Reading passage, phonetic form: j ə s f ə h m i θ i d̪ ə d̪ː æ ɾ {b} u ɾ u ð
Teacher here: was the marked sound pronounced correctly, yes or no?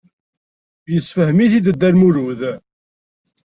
no